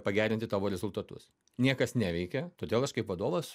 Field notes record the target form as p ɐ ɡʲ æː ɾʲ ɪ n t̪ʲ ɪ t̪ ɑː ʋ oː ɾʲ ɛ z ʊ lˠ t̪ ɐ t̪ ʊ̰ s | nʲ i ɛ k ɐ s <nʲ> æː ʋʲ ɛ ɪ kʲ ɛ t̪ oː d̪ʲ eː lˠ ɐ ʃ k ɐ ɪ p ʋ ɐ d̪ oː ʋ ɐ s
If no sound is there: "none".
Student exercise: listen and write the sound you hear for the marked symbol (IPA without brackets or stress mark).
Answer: nʲ